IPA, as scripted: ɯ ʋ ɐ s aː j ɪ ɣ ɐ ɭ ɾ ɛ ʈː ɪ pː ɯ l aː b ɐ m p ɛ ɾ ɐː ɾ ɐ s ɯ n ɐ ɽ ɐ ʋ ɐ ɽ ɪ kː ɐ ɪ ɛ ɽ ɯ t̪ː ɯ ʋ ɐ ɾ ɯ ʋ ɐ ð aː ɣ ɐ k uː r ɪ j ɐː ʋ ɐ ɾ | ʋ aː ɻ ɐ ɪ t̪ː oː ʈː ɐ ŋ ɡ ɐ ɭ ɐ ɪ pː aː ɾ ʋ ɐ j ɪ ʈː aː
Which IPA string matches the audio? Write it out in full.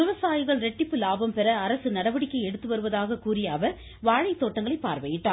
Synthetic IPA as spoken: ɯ ʋ ɐ s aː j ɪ ɣ ɐ ɭ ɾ ɛ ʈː ɪ pː ɯ l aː b ɐ m p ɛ ɾ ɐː ɾ ɐ s ɯ n ɐ ɽ ɐ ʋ ɐ ɽ ɪ kː ɐ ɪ ɛ ɽ ɯ t̪ː ɯ ʋ ɐ ɾ ɯ ʋ ɐ ð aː ɣ ɐ k uː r ɪ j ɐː ʋ ɐ ɾ | ʋ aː ɻ ɐ ɪ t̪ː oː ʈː ɐ ŋ ɡ ɐ ɭ ɐ ɪ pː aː ɾ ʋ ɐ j ɪ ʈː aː